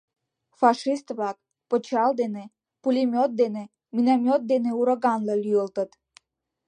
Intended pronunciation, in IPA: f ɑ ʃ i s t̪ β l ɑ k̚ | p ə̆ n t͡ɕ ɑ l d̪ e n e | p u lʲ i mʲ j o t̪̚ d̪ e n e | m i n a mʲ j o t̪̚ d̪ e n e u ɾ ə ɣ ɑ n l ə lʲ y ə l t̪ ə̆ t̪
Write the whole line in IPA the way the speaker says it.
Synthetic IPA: f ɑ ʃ i s t̪ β l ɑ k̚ | p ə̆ t͡ɕ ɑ l d̪ e n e | p u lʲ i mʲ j o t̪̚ d̪ e n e | m i n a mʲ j o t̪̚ d̪ e n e u ɾ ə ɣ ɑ n l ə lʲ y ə l t̪ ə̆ t̪